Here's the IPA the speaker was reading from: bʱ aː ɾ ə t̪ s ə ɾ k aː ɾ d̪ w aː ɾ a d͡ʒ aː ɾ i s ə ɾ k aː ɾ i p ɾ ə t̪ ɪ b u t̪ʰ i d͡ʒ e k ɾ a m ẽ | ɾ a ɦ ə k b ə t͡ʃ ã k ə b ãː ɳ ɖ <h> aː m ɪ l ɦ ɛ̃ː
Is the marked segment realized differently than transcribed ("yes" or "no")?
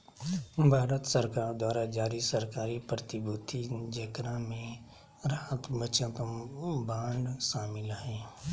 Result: yes